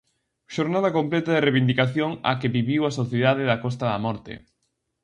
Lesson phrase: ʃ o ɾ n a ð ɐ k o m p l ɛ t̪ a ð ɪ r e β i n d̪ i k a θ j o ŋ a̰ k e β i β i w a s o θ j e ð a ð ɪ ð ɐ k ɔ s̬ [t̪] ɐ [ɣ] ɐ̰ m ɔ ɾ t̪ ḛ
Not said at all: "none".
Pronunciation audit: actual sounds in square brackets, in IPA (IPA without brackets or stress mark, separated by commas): t̪, ð